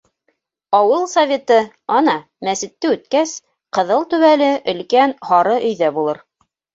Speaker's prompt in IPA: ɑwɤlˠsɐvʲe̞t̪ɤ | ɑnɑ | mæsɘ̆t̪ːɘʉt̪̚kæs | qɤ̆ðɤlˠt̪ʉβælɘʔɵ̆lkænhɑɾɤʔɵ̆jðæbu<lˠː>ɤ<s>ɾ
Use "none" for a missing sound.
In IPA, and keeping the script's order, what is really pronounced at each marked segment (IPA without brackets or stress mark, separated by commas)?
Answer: lˠ, none